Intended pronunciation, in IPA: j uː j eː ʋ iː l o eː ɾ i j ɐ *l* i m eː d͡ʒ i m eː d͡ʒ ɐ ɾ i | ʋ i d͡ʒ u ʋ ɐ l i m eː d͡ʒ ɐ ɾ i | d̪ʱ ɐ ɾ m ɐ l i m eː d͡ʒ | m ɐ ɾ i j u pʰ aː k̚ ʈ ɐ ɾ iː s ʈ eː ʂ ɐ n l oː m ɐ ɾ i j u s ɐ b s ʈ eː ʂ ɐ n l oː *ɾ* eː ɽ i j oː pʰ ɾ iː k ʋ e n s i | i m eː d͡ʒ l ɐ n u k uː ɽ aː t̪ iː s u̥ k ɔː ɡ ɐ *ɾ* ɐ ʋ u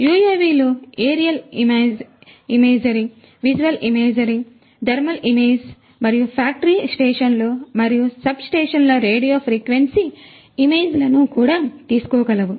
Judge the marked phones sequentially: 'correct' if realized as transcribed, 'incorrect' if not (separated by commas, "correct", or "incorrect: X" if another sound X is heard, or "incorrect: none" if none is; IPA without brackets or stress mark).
correct, correct, incorrect: l